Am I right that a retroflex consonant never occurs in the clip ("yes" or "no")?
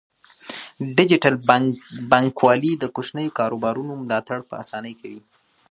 no